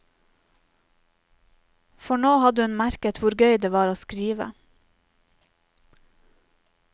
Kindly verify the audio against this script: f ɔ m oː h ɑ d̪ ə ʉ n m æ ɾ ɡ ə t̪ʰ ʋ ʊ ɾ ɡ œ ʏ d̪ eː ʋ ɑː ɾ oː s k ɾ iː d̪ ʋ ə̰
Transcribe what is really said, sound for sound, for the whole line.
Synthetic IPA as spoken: f ɔ ɳ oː h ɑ d̪ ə ʉ n m æ ɾ k ə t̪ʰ ʋ ʊ ɾ ɡ œ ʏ d̪ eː ʋ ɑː ɾ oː s k ɾ iː ʋ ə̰

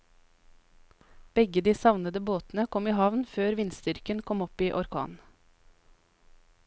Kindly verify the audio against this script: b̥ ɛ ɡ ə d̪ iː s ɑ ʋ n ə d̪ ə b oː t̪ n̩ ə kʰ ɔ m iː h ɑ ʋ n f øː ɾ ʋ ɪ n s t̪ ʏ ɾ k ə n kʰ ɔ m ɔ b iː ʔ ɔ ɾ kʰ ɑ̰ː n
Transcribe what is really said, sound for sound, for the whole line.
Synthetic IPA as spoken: b̥ ɛ ɡ ə d̪ iː s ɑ ʋ n ə d̪ ə b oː t̪ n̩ ə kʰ ɔ m iː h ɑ ʋ n f øː ɾ ʋ ɪ n s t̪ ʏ ɾ k ə n kʰ ɔ m ɔ p iː ʔ ɔ ɾ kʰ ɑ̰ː n

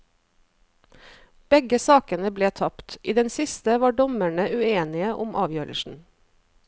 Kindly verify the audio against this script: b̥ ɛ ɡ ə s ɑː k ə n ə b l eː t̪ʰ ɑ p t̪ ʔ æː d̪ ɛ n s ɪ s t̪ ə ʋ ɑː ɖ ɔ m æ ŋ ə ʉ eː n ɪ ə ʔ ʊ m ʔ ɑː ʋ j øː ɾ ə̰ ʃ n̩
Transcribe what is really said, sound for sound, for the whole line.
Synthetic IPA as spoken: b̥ ɛ ɡ ə s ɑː k ə n ə b l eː t̪ʰ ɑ p t̪ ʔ iː d̪ ɛ n s ɪ s t̪ ə ʋ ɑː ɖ ɔ m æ ɳ ə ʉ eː n ɪ ə ʔ ʊ m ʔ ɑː ʋ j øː ɾ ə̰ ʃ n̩

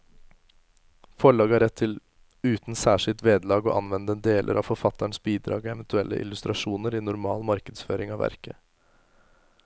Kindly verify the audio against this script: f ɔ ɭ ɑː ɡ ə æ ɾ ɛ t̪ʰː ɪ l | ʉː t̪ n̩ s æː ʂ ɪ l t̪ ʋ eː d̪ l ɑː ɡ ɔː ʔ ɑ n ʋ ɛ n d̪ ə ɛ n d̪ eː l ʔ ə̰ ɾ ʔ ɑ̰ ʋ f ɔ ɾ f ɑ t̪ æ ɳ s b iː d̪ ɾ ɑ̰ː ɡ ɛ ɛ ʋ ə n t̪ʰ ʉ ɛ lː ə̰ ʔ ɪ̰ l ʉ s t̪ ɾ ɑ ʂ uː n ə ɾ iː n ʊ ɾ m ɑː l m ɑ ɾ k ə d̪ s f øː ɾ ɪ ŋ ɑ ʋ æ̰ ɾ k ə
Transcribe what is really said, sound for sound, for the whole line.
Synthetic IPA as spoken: f ɔ ɭ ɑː ɡ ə æ ɾ ɛ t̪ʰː ɪ l | ʉː t̪ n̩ s æː ʂ ɪ l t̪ ʋ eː d̪ l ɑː ɡ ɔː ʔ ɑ n ʋ ɛ n d̪ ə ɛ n d̪ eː l ʔ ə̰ ɾ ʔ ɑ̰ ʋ f ɔ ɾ f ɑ t̪ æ ɳ s b iː d̪ ɾ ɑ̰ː ɡ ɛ ɛ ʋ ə n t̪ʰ ʉ ɛ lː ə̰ ʔ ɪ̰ l ʉ s t̪ ɾ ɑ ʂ uː n ə ɾ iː n ʊ ɾ m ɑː l m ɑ ɾ k ə d̪ s f øː ɾ ɪ ŋ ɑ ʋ æ̰ ɾ k ə

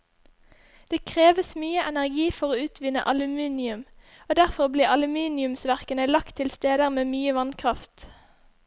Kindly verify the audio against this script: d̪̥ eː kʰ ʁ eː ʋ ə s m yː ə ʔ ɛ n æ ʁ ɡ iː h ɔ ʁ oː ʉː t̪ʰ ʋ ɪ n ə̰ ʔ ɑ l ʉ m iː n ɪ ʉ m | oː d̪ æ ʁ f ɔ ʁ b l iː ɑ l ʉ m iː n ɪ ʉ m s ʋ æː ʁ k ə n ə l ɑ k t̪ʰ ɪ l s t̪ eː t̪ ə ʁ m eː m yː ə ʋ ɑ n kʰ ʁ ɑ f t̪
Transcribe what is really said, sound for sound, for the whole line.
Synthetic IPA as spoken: d̪̥ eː kʰ ʁ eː ʋ ə s m yː ə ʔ ɛ n æ ʁ ɡ iː f ɔ ʁ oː ʉː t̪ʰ ʋ ɪ n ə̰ ʔ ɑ l ʉ m iː n ɪ ʉ m | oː d̪ æ ʁ f ɔ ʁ b l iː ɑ l ʉ m iː n ɪ ʉ m s ʋ æ ʁ k ə n ə l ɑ k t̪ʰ ɪ l s t̪ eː d̪ ə ʁ m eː m yː ə ʋ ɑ n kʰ ʁ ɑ f t̪

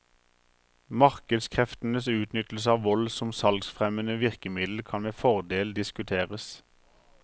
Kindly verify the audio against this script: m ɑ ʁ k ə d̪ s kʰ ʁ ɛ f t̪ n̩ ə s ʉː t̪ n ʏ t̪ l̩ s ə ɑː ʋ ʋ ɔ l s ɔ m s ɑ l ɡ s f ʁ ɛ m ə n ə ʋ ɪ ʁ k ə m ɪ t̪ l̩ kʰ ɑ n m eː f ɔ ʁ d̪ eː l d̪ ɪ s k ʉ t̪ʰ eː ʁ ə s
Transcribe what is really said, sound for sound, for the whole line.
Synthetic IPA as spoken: m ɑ ʁ k ə d̪ s kʰ ʁ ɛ f t̪ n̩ ə s ʉː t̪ n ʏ t̪ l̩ s ə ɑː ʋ ʋ ɔ l s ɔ m s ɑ l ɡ s f ʁ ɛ m ə n ə ʋ ɪ ʁ k ə m ɪ d̪ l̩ kʰ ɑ n m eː f ɔ ʁ d̪ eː l d̪ ɪ s k ʉ t̪ʰ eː ʁ ə s

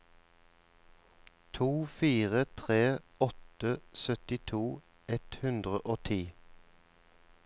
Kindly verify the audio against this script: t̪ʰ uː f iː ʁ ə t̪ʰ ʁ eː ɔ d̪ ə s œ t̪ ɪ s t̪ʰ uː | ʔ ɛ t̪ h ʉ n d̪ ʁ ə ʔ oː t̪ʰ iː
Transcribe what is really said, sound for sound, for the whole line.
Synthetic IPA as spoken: t̪ʰ uː f iː ʁ ə t̪ʰ ʁ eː ɔ t̪ ə s œ t̪ ɪ t̪ʰ uː | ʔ ɛ t̪ h ʉ n d̪ ʁ ə ʔ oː t̪ʰ iː

